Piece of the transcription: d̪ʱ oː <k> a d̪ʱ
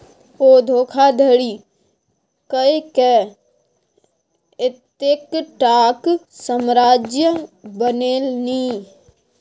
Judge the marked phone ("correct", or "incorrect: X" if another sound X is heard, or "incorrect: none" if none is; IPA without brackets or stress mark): incorrect: kʰ